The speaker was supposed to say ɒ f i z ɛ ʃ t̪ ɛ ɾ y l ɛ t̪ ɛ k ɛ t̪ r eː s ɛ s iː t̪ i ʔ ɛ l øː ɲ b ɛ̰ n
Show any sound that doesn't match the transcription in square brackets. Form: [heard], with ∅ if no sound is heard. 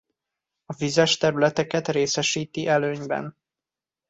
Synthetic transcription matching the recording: ɒ [v] i z ɛ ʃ t̪ ɛ ɾ y l ɛ t̪ ɛ k ɛ t̪ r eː s ɛ [ʃ] iː t̪ i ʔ ɛ l øː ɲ b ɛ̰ n